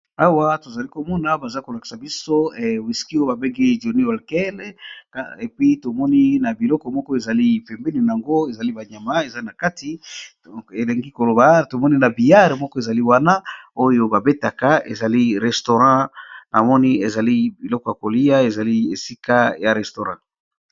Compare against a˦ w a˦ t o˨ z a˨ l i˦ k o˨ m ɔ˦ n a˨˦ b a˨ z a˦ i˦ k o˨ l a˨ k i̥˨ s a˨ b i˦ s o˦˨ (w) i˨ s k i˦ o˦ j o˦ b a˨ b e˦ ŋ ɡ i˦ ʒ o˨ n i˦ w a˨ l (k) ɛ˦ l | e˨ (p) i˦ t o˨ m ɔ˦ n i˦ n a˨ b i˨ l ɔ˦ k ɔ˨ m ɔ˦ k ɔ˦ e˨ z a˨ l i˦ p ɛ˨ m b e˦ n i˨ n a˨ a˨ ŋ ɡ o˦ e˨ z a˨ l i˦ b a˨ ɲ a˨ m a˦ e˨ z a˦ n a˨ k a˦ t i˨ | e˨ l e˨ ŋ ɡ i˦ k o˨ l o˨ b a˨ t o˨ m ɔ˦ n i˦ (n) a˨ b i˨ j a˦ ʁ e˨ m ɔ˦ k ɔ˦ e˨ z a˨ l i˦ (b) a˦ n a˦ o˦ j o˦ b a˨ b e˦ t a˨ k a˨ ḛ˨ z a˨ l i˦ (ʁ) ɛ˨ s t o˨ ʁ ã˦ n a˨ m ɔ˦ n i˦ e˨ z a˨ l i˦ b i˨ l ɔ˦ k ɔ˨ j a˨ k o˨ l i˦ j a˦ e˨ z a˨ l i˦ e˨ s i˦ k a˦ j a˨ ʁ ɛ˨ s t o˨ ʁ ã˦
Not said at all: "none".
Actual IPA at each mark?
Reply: w, k, p, n, w, ʁ

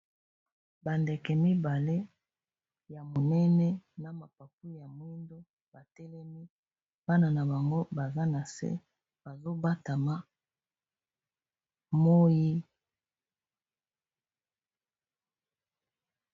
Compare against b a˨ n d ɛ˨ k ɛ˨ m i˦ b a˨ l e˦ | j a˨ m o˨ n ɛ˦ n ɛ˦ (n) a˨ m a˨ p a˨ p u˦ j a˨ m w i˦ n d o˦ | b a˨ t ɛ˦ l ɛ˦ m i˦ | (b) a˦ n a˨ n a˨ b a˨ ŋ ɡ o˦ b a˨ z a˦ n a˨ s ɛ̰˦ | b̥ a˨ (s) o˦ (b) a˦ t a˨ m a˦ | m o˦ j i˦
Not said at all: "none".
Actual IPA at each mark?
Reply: n, b, z, b

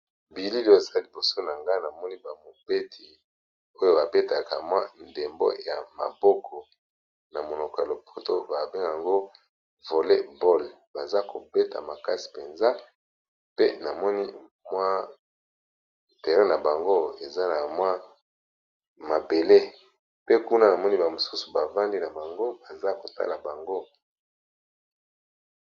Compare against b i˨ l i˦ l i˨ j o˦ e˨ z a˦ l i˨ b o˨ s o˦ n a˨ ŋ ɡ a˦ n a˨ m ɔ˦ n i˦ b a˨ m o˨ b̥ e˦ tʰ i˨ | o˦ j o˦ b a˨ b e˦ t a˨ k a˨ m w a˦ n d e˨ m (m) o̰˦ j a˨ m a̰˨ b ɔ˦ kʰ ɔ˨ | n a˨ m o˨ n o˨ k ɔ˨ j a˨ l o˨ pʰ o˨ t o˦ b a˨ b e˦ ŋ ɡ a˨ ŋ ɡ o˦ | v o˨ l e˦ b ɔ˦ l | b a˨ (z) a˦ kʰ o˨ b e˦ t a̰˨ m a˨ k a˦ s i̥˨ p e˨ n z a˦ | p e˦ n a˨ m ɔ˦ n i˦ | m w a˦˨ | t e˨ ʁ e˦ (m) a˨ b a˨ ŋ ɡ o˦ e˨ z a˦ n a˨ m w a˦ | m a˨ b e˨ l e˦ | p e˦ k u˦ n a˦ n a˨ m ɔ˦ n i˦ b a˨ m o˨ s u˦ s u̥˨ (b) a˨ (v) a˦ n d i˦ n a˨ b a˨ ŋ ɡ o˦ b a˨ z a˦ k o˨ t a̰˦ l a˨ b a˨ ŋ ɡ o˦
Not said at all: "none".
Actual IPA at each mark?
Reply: b, z, n, b, v

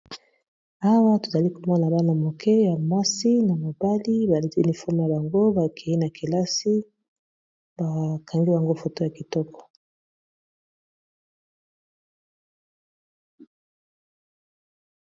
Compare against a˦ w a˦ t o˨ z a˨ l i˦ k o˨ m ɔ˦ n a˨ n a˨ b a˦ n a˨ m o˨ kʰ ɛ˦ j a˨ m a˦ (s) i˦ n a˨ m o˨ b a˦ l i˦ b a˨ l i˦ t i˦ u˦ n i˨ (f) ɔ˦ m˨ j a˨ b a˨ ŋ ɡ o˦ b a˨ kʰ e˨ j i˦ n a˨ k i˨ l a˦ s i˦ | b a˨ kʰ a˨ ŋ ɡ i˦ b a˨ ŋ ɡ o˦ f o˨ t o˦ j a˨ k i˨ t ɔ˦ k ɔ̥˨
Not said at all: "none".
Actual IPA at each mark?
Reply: s, f

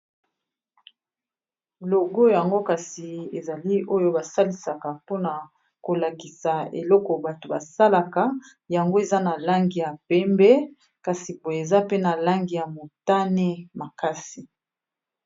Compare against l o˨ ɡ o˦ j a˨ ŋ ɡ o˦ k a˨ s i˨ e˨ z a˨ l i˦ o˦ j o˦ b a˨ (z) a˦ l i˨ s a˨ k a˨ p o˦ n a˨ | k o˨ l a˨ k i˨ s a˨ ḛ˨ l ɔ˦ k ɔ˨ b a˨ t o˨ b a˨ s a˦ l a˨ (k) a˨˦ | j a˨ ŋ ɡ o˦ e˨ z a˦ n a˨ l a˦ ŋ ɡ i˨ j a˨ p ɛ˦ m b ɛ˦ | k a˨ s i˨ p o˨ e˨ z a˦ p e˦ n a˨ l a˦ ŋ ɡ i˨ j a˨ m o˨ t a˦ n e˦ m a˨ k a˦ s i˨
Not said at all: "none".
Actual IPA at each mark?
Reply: s, k

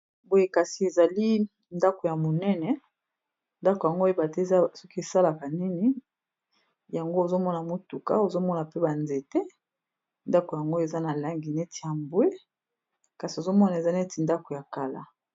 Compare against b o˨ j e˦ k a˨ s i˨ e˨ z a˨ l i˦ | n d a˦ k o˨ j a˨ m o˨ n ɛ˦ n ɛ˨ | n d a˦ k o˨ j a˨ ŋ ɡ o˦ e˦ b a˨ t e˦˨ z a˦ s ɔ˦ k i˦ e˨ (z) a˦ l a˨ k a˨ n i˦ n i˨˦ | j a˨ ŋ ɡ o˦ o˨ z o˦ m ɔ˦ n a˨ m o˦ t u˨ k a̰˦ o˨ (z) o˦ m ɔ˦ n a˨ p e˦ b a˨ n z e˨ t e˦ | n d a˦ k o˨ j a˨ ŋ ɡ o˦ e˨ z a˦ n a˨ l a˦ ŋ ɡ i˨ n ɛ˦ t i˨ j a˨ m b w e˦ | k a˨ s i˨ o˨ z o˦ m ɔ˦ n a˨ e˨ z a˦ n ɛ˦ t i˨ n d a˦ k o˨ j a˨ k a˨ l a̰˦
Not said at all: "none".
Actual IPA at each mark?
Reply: s, z

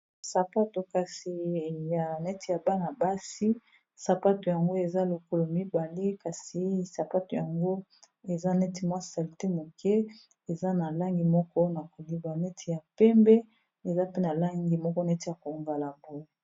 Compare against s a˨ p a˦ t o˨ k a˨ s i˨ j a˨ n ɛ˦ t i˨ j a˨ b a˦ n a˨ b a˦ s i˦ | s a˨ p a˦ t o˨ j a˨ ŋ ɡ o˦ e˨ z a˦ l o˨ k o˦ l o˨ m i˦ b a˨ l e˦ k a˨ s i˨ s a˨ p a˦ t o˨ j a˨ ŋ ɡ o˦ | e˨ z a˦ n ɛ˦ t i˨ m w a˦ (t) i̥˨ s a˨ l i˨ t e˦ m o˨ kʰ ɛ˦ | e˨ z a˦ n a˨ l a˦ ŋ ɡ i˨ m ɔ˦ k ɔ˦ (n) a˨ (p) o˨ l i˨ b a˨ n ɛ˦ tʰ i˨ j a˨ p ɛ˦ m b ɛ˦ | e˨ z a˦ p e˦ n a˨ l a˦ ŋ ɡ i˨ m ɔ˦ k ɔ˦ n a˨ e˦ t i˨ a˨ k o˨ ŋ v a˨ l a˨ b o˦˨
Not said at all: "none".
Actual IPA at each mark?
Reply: s, n, k

